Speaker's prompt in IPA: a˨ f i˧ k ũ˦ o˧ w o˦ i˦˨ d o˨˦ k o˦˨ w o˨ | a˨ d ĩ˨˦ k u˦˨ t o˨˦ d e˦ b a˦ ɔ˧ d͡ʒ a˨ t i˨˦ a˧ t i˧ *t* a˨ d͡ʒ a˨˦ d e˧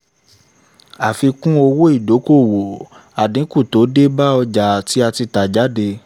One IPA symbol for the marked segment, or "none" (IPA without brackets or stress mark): t